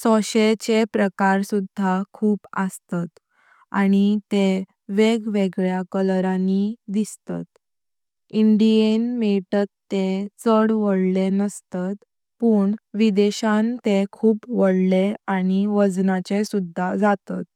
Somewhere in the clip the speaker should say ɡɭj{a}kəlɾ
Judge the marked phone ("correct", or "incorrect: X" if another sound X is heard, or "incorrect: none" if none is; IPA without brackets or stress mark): correct